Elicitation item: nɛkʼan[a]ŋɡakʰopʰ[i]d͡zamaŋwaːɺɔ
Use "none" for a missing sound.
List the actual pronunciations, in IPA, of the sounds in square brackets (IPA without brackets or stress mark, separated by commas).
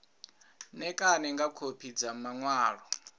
ɛ, i